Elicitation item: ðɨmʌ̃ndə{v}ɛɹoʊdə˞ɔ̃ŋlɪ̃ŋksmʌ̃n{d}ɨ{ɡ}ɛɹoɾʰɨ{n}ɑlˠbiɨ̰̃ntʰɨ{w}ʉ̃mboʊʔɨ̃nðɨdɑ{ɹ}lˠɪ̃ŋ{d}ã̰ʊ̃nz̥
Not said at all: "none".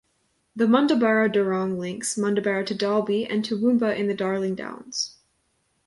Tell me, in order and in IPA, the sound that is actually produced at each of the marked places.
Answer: b, d, b, d, w, ɹ, d

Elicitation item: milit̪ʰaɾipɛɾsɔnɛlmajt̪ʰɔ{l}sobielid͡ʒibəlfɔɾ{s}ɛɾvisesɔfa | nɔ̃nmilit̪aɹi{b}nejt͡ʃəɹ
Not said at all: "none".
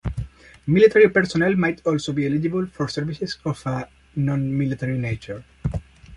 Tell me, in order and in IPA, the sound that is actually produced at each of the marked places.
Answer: l, s, none

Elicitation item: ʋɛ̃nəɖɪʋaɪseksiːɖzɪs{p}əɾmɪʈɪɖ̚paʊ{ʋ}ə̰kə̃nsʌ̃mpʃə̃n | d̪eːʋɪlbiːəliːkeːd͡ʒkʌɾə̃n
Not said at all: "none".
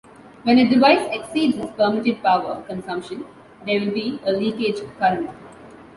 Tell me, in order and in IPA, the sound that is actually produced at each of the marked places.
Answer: p, ʋ

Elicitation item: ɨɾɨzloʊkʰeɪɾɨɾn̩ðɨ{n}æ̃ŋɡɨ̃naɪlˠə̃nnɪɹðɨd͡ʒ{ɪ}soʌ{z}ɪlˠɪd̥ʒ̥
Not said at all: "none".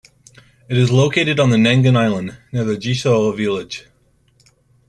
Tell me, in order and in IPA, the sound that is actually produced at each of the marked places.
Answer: n, i, v

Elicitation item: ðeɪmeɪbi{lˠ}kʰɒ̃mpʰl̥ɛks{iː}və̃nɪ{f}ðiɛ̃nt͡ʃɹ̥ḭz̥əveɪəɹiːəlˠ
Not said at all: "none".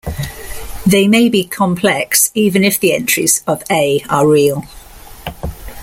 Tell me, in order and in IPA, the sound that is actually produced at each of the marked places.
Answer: none, iː, f

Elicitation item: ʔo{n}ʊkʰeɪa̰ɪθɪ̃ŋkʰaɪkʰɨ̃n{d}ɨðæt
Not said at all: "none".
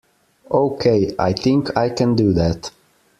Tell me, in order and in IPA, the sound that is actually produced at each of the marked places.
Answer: none, d

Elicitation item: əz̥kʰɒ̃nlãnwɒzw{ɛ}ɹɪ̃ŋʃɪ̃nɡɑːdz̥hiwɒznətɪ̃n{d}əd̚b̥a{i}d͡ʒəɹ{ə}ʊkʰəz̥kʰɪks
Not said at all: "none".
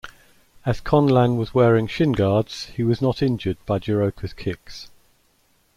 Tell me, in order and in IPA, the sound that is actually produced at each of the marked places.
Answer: ɛː, d͡ʒ, ɪ, ə

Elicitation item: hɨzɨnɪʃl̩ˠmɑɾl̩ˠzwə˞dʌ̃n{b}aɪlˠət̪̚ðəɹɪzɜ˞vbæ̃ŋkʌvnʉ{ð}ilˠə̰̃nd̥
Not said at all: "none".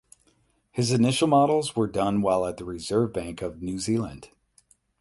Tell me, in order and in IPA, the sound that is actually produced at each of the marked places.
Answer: w, z

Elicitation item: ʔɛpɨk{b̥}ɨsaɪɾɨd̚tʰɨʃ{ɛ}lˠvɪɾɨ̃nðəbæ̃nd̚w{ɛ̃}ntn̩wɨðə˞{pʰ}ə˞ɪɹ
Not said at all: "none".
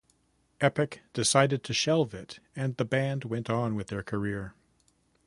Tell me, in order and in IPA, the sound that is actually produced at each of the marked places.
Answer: d̥, ɛ, ɛ̃, kʰ

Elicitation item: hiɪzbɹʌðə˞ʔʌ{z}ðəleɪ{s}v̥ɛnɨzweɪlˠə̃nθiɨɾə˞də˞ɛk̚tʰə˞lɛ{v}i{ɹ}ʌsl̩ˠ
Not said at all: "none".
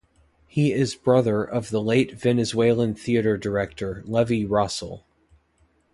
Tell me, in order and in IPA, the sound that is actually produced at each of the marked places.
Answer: v, t, v, ɹ

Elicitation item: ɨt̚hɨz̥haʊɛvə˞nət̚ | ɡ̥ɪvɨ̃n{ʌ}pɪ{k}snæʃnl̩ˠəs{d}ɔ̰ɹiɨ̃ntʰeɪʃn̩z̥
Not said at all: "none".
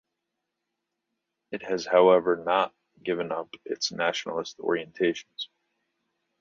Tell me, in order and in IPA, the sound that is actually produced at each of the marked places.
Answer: ʌ, t, t

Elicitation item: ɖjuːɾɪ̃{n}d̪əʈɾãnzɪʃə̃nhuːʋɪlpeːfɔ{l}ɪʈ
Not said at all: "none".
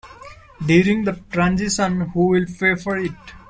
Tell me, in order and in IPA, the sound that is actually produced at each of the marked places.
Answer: ŋ, ɾ

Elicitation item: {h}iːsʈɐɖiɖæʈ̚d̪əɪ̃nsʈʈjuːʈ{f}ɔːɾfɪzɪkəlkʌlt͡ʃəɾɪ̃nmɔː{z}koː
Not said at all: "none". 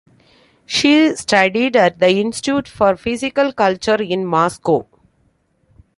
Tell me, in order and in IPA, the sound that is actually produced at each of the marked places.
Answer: ʃ, f, s

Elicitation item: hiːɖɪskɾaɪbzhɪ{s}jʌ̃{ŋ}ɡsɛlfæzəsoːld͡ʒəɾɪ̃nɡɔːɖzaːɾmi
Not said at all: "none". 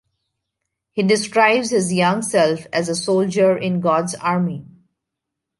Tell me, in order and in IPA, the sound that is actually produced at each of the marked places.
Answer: z, ŋ

